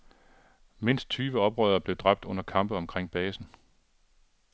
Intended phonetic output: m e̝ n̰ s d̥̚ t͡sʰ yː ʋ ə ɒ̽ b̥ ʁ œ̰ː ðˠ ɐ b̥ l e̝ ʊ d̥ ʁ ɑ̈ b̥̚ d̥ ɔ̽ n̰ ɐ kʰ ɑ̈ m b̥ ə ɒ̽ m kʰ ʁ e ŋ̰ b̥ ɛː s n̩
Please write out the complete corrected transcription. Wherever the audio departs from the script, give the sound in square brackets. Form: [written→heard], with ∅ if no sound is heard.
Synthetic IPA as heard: m e̝ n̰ s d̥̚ t͡sʰ yː ʋ ə ɒ̽ b̥ ʁ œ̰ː ðˠ ɐ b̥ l e̝ ʊ d̥ ʁ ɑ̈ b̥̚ d̥ ɔ̽ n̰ ɐ kʰ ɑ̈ m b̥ ə ɒ̽ m kʰ ʁ e ŋ̰ b̥ ɛː s n̩